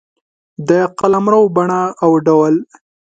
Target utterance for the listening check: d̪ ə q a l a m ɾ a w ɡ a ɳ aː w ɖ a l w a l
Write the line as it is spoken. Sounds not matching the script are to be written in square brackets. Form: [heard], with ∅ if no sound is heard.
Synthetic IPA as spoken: d̪ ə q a l a m ɾ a w [b] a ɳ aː w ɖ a [∅] w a l